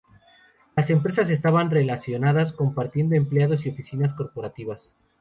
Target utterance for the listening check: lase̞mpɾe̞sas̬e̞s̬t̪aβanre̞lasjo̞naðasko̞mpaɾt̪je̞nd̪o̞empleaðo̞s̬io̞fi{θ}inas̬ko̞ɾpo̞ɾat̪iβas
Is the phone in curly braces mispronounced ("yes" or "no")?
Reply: yes